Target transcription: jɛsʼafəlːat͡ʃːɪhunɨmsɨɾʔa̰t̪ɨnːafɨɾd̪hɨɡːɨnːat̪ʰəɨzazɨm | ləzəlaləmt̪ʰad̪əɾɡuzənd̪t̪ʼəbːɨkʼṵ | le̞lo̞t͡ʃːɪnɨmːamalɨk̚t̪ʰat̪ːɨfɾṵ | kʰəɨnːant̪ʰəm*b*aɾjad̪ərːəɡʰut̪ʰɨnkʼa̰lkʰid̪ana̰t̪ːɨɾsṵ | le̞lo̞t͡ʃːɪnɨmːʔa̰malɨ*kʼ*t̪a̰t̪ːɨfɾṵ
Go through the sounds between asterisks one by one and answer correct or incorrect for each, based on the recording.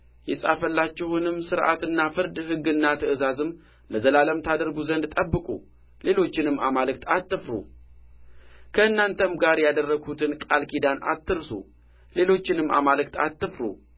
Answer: incorrect: ɡ, incorrect: k

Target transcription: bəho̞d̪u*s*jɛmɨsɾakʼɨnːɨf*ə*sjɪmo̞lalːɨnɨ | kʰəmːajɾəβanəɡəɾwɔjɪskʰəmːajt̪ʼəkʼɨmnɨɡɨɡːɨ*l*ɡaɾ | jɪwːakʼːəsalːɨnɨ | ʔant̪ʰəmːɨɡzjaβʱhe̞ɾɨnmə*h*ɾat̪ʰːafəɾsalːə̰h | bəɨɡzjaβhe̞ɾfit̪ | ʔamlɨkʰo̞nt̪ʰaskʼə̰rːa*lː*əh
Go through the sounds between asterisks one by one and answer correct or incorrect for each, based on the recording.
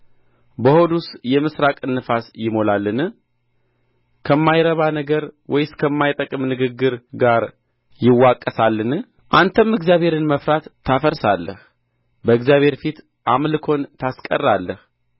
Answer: correct, incorrect: a, incorrect: ɾ, incorrect: f, correct

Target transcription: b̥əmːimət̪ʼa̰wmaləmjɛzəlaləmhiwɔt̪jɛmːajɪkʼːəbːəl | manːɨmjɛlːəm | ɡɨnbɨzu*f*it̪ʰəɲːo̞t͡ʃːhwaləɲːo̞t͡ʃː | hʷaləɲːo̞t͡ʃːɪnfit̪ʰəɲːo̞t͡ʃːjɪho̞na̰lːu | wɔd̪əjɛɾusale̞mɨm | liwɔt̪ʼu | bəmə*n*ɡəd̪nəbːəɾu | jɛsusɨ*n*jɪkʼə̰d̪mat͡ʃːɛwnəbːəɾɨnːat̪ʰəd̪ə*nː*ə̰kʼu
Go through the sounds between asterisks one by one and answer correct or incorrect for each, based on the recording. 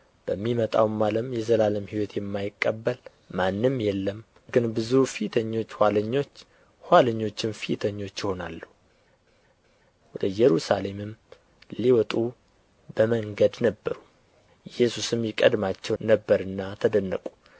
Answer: correct, incorrect: ŋ, incorrect: m, correct

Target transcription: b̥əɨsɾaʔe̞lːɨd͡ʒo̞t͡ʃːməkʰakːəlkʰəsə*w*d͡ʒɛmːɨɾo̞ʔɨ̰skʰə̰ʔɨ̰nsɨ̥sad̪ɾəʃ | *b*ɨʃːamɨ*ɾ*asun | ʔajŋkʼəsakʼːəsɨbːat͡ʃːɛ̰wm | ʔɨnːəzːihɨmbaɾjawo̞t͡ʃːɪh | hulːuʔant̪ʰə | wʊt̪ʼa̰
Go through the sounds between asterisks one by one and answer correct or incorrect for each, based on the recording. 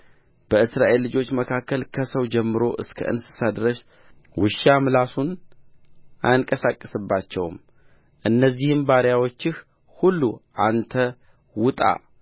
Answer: correct, incorrect: w, incorrect: l

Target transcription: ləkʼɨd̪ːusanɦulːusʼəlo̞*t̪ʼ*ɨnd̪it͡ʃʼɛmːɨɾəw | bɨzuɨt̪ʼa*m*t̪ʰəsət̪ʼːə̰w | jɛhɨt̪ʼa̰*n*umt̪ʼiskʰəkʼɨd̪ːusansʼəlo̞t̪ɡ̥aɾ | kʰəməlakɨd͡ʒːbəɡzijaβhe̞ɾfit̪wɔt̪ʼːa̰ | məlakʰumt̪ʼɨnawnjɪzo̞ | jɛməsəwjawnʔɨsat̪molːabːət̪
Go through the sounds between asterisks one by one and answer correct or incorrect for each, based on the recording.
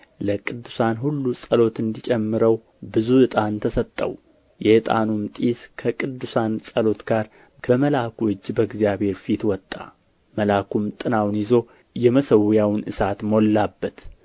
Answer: incorrect: t̪, incorrect: n, correct

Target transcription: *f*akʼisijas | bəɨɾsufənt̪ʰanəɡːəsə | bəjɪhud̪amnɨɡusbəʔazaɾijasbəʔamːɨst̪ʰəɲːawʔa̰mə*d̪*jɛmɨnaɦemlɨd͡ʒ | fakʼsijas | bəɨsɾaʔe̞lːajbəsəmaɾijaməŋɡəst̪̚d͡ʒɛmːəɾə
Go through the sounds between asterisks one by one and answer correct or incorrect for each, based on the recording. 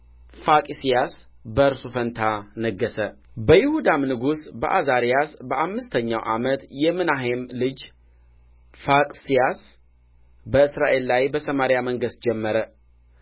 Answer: correct, incorrect: t̪

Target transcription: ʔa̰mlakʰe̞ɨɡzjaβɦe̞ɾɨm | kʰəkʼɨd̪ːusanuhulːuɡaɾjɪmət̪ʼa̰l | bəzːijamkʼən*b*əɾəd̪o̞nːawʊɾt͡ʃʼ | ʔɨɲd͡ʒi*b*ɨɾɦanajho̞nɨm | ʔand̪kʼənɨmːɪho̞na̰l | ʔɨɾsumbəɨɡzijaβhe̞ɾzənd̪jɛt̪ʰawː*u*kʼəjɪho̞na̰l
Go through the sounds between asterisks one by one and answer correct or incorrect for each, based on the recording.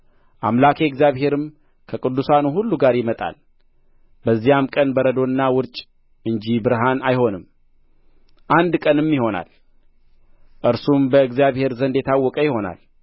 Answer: correct, correct, incorrect: ɔ

